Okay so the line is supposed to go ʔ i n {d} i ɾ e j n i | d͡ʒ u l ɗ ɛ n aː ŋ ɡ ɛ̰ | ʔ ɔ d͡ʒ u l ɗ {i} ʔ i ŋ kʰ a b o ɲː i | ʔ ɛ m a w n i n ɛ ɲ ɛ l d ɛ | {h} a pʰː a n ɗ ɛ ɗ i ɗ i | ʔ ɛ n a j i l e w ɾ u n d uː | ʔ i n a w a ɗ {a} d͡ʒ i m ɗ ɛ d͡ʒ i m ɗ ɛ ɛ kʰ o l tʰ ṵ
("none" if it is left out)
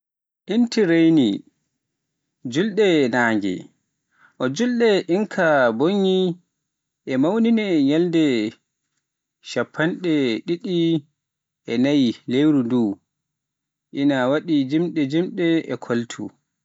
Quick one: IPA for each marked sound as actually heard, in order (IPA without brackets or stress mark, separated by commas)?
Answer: t, ɛ, ʃ, i